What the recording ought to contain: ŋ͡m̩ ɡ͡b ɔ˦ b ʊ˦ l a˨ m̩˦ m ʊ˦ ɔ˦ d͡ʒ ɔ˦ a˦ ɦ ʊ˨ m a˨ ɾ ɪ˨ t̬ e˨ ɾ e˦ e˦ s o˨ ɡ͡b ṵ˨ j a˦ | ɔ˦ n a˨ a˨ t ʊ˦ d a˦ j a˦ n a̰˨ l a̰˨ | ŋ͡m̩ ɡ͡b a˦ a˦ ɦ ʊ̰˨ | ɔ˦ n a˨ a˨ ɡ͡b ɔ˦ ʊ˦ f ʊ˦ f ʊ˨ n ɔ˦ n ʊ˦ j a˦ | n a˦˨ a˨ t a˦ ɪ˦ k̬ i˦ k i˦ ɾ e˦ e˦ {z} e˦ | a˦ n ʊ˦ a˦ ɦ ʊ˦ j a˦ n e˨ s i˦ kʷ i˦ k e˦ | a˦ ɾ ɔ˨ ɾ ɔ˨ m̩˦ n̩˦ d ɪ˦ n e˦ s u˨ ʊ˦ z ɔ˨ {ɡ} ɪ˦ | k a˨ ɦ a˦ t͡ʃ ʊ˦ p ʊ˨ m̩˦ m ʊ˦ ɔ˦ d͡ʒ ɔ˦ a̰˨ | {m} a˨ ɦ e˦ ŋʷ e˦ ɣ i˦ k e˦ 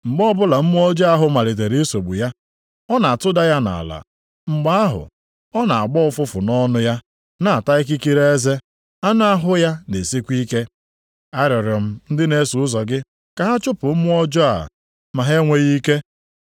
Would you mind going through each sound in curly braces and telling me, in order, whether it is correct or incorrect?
correct, correct, correct

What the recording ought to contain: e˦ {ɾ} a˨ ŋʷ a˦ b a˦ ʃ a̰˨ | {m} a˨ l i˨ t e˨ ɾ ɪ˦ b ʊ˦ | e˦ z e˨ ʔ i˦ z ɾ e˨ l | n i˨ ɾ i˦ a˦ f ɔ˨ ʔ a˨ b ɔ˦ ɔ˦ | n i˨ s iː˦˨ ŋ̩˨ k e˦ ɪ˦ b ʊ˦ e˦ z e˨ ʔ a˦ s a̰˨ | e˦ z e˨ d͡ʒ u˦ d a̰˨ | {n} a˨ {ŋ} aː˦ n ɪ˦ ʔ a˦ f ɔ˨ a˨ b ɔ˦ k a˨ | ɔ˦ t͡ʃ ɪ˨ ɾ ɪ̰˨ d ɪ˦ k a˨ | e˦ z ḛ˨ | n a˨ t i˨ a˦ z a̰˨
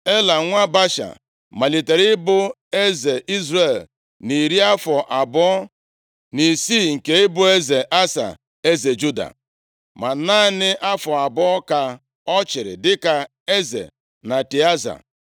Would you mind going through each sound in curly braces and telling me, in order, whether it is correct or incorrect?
incorrect: l, correct, incorrect: m, incorrect: n

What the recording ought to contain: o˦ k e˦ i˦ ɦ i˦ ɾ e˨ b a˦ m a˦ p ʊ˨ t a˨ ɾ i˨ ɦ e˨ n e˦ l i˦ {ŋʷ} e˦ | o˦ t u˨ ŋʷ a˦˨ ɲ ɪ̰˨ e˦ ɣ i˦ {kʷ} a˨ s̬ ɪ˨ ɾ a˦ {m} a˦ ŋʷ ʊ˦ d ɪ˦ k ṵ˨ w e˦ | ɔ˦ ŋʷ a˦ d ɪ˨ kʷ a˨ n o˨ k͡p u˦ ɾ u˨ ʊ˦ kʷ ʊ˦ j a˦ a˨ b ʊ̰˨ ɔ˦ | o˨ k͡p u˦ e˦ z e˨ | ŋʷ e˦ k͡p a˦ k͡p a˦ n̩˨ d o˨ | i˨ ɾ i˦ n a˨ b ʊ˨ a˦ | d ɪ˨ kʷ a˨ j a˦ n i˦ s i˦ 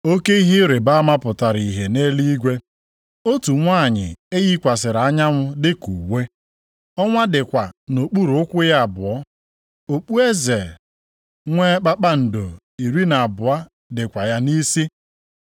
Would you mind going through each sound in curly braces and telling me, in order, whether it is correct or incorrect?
incorrect: ɡʷ, correct, incorrect: ɲ

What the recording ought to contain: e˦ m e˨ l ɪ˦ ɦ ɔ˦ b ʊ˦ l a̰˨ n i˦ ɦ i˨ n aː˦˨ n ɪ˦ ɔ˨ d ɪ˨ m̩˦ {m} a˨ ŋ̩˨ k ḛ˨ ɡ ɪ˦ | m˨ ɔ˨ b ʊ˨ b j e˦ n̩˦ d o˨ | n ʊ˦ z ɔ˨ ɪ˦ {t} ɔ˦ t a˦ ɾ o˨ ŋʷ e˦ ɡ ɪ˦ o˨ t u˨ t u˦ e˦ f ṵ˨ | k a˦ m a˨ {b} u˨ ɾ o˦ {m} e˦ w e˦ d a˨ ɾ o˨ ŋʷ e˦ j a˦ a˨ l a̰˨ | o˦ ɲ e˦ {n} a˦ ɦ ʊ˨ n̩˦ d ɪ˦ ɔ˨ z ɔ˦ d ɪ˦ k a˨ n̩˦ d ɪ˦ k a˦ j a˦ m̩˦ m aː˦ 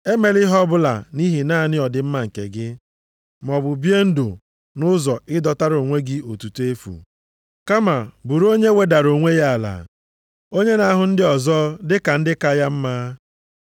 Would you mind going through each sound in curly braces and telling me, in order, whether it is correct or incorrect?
correct, incorrect: d, correct, incorrect: ɲ, correct

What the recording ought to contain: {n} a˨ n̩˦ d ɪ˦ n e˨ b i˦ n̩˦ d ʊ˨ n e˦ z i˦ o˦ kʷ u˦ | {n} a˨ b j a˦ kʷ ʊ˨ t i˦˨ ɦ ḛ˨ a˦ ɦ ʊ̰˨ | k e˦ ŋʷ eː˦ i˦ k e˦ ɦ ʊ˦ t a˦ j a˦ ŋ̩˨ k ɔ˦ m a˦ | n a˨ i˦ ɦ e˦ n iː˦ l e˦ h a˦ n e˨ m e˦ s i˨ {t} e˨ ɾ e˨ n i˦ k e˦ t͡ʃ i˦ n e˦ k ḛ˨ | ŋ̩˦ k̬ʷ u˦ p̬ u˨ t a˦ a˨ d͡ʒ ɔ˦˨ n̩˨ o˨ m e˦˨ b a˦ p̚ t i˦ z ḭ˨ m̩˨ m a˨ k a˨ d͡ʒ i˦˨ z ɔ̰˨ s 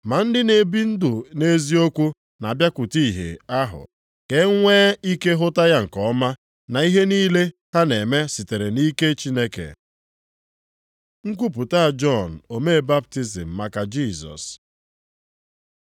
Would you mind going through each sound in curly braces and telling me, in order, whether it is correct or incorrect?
incorrect: m, correct, correct

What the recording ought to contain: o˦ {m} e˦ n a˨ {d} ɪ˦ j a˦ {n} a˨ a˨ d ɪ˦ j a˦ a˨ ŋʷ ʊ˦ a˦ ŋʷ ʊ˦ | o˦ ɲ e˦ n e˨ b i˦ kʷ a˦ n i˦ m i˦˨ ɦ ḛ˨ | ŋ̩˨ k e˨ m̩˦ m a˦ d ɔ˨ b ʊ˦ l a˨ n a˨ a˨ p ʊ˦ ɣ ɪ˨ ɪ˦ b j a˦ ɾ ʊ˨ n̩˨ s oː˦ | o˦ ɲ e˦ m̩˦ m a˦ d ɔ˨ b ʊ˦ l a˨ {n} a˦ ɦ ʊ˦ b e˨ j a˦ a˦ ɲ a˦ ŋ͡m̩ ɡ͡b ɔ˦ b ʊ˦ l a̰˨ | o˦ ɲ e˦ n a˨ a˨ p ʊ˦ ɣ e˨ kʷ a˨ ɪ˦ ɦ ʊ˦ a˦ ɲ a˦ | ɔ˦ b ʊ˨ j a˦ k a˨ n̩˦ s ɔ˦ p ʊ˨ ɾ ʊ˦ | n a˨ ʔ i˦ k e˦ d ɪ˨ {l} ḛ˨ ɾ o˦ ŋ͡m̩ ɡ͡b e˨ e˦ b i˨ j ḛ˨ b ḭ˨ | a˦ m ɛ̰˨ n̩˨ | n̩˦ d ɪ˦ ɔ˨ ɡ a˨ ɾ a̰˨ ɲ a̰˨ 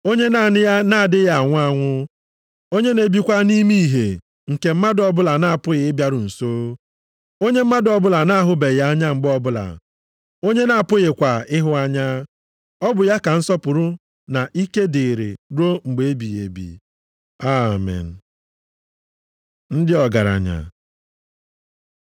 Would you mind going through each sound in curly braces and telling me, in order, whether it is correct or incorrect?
incorrect: ɲ, incorrect: n, correct, correct, incorrect: ɾ

